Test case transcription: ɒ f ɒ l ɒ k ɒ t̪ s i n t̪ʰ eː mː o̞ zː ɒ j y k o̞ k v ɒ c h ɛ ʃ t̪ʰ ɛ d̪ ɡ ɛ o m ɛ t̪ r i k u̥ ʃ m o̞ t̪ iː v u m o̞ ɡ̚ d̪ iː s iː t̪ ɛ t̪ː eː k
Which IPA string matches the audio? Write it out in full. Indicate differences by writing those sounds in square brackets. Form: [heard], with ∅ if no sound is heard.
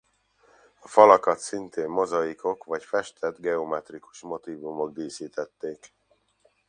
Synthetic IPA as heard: ɒ f ɒ l ɒ k ɒ t̪ s i n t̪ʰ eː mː o̞ [z] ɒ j [i] k o̞ k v ɒ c [f] ɛ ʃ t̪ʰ ɛ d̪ ɡ ɛ o m ɛ t̪ r i k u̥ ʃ m o̞ t̪ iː v u m o̞ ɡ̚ d̪ iː s iː t̪ ɛ t̪ː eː k